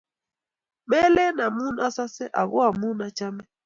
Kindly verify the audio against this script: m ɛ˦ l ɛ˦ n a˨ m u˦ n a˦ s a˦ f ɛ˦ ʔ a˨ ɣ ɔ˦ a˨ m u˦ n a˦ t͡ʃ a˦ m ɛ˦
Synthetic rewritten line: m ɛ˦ l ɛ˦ n a˨ m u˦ n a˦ s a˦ s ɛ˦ ʔ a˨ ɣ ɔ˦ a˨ m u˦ n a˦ t͡ʃ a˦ m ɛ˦